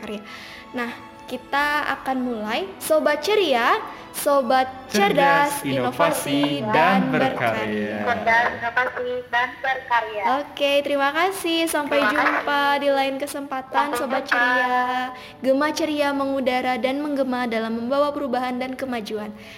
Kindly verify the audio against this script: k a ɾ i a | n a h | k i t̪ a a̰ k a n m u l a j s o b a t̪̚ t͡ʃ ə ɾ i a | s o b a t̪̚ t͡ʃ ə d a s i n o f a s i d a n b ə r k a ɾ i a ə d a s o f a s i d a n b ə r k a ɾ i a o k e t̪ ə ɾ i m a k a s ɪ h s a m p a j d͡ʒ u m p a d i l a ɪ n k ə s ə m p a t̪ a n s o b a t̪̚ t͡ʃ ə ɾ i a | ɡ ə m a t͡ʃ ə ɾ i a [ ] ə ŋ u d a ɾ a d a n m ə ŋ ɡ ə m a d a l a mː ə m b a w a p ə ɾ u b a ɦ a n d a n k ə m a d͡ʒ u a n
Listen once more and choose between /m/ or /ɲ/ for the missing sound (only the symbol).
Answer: m